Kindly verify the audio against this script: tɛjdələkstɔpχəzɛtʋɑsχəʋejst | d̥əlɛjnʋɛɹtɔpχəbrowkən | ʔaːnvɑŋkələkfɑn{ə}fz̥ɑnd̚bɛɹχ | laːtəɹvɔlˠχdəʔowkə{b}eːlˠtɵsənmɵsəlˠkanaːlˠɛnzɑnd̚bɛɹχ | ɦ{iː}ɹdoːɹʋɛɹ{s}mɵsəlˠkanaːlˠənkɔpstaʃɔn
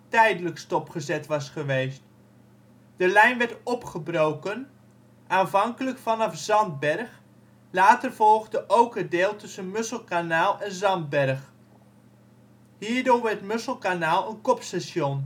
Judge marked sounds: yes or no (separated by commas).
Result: no, no, yes, no